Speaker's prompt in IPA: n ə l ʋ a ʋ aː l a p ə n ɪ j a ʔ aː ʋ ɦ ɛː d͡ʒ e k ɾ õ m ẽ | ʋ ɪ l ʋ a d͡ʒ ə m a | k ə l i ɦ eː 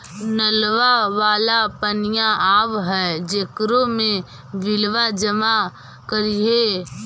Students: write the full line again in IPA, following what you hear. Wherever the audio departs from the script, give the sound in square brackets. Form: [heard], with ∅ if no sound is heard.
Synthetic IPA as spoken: n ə l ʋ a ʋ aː l a p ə n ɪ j a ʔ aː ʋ ɦ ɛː d͡ʒ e k ɾ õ m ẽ | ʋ ɪ l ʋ a d͡ʒ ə m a | k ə [ɾ] i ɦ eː